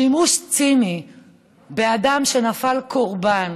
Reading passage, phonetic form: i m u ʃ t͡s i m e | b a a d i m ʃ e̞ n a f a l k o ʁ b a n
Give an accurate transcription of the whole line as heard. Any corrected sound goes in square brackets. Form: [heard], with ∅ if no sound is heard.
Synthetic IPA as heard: i m u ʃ t͡s i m [i] | b [e] a d [a] m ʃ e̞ n a f a l k o ʁ b a n